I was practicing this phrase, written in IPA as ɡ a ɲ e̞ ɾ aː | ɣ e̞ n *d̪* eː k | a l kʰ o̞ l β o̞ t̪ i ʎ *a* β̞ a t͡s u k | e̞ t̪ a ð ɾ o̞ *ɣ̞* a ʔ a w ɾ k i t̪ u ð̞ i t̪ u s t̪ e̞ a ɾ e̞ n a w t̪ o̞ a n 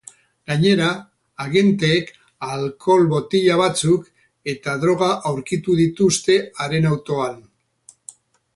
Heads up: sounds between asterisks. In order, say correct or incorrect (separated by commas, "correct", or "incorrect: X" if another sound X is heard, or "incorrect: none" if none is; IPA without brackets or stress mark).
incorrect: t̪, correct, correct